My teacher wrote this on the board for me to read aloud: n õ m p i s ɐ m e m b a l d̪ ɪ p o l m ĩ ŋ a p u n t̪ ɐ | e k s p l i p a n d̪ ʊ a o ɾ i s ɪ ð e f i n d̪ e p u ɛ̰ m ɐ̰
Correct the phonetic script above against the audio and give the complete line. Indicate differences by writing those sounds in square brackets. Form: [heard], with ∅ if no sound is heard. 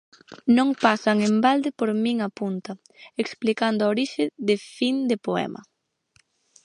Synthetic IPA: n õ [ŋ] p [a] s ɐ [ŋ] e m b a l d̪ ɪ p o [ɾ] m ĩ ŋ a p u n t̪ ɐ | e k s p l i [k] a n d̪ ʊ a o ɾ i [ʃ] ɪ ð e f i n d̪ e p [o] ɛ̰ m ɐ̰